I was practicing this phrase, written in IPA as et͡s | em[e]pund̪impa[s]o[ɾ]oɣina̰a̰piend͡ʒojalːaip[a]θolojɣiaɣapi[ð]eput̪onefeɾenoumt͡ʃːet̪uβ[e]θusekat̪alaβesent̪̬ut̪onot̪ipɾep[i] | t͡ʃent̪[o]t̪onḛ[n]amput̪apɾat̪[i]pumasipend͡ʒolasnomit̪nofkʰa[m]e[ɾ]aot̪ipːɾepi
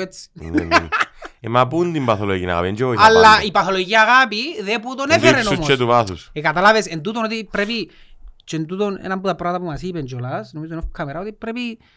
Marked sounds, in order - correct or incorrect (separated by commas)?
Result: incorrect, incorrect, incorrect, correct, correct, incorrect, correct, incorrect, correct, incorrect, correct, correct